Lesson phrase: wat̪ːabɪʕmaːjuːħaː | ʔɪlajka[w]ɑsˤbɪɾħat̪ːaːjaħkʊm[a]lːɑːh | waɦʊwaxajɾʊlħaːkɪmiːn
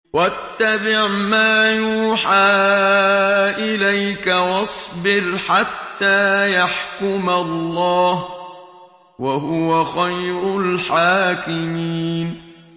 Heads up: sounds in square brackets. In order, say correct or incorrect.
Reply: correct, correct

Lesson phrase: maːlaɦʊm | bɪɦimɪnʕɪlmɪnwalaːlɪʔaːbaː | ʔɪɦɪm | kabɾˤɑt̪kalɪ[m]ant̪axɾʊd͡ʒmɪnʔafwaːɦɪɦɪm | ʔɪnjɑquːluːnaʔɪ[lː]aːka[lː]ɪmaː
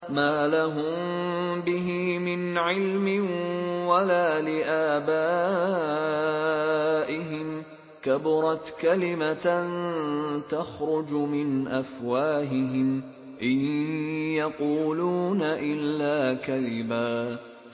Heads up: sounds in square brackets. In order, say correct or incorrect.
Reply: correct, correct, incorrect

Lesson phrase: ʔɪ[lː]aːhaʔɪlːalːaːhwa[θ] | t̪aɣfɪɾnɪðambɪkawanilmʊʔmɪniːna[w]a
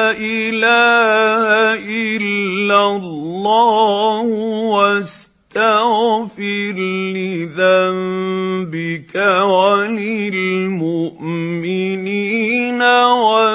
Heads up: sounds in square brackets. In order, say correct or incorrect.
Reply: incorrect, incorrect, correct

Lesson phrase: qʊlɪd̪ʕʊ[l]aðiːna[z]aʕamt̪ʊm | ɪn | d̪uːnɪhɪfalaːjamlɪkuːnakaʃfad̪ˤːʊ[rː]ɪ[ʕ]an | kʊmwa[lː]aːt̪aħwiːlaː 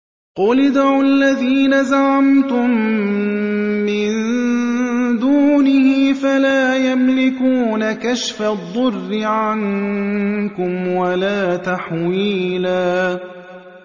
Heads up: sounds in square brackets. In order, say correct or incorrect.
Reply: incorrect, correct, correct, correct, incorrect

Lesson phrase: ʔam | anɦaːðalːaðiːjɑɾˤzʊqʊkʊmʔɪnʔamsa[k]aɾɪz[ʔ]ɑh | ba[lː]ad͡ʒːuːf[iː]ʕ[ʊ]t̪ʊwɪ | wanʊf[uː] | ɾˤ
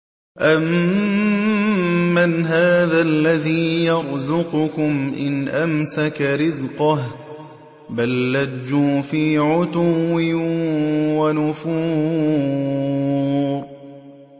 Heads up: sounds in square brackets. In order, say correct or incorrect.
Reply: correct, incorrect, correct, correct, correct, correct

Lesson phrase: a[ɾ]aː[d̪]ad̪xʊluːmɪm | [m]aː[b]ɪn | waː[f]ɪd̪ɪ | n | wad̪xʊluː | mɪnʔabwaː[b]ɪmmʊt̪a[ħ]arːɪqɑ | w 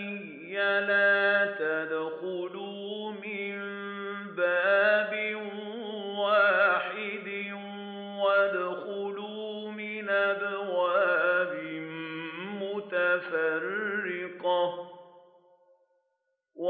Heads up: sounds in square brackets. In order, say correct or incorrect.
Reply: incorrect, incorrect, incorrect, correct, incorrect, correct, incorrect

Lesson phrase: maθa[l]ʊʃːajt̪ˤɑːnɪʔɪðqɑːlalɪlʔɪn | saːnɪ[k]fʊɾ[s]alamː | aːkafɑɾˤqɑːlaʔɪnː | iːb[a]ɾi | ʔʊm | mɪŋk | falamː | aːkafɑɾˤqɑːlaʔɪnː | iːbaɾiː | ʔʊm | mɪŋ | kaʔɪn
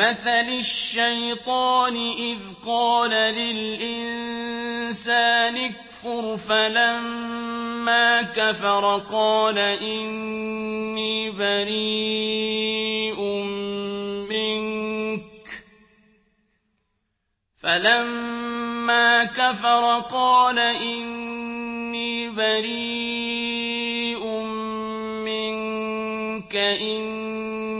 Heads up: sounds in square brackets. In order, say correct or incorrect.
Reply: correct, correct, incorrect, correct

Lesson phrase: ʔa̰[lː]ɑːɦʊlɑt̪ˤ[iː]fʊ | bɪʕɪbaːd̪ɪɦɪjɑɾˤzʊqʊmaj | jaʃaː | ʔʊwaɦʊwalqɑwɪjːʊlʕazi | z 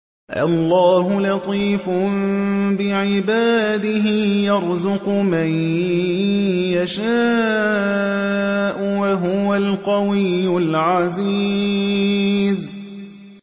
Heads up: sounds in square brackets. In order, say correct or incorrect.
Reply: correct, correct

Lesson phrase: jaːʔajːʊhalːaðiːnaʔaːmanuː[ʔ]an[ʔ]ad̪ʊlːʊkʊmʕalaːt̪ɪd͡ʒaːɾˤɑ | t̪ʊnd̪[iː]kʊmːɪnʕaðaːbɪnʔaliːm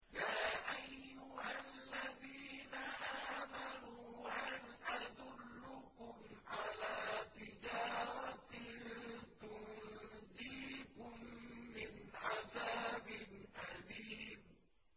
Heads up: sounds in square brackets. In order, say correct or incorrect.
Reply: correct, correct, correct

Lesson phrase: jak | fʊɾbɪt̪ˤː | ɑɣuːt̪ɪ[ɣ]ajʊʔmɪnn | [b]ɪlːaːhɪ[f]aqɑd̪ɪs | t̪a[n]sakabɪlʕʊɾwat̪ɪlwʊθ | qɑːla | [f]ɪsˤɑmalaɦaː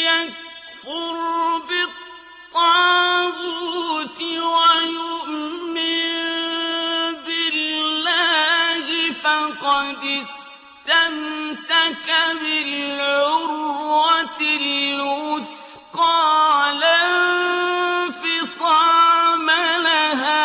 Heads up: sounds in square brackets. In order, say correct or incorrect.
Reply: incorrect, correct, correct, incorrect, correct

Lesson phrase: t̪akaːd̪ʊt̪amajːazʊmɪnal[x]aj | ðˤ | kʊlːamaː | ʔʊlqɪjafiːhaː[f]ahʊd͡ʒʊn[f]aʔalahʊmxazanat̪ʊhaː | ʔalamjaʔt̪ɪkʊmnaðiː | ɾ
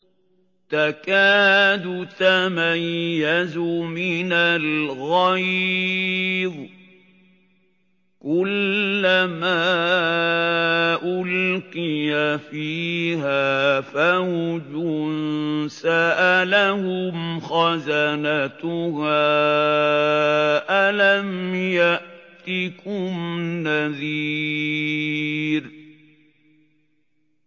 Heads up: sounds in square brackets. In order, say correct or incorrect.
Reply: incorrect, correct, incorrect

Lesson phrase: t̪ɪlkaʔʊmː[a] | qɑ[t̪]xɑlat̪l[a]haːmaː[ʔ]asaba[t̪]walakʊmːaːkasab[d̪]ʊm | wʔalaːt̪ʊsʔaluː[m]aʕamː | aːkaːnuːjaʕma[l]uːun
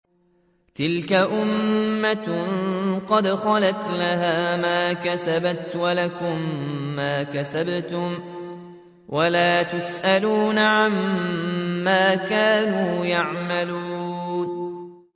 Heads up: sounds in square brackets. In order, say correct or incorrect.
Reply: correct, incorrect, correct, incorrect, correct, incorrect, incorrect, correct

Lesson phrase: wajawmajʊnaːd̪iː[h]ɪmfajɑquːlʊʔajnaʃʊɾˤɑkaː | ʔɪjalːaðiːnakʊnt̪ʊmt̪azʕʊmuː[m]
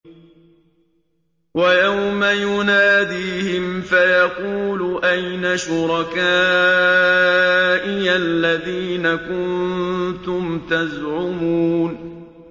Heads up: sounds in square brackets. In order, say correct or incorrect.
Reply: correct, incorrect

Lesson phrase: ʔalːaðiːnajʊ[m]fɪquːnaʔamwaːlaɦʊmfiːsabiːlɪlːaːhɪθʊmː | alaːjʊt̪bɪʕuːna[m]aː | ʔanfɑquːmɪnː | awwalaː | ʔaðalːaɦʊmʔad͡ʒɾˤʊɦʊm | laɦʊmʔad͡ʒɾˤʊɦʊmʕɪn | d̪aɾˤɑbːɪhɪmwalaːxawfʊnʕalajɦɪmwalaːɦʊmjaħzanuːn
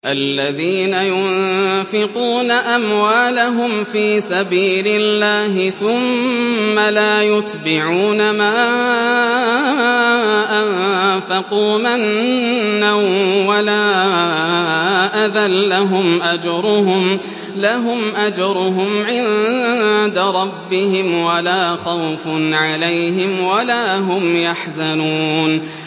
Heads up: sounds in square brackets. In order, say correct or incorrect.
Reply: incorrect, correct

